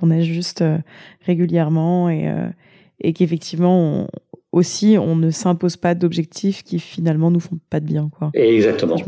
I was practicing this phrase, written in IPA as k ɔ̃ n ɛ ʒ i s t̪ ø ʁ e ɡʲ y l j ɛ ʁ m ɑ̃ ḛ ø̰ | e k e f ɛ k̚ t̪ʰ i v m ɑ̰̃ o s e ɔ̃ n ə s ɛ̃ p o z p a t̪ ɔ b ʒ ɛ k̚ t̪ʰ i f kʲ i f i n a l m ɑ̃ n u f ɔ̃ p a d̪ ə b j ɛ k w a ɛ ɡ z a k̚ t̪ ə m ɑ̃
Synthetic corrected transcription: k ɔ̃ n ɛ ʒ y s t̪ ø ʁ e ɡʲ y l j ɛ ʁ m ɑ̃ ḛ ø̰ | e k e f ɛ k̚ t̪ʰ i v m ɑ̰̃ o s i ɔ̃ n ə s ɛ̃ p o z p a d̪ ɔ b ʒ ɛ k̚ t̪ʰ i f kʲ i f i n a l m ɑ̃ n u f ɔ̃ p a d̪ ə b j ɛ̃ k w a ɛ ɡ z a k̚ t̪ ə m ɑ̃